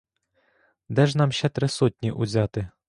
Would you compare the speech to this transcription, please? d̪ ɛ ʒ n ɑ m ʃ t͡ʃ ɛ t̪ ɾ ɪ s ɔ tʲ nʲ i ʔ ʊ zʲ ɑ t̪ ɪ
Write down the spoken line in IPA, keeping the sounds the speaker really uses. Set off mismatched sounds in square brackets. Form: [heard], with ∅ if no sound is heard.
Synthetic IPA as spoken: d̪ ɛ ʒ n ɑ m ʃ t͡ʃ ɛ t̪ ɾ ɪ s ɔ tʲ nʲ i ʔ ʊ zʲ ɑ t̪ ɪ